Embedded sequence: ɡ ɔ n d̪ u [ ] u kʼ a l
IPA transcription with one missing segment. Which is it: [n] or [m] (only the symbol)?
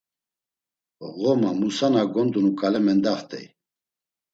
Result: n